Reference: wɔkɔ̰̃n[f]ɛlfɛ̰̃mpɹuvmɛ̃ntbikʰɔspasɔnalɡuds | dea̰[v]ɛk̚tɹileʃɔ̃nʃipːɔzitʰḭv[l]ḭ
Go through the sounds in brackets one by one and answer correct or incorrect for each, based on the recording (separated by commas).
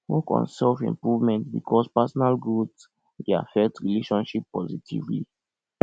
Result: incorrect, incorrect, correct